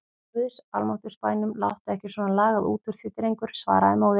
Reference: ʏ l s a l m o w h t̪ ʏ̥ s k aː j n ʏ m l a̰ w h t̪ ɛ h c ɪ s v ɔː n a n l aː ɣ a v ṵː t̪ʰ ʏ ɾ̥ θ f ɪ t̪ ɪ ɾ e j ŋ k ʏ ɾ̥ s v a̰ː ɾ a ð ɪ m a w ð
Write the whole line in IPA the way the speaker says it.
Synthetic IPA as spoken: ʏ s a l m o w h t̪ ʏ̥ s p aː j n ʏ m l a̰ w h t̪ ɛ h c ɪ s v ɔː n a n l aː ɣ a ð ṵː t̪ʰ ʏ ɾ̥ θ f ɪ t̪ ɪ ɾ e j ŋ k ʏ ɾ̥ s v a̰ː ɾ a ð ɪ m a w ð